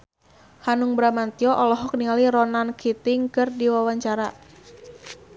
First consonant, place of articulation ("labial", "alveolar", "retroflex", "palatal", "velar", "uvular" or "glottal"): glottal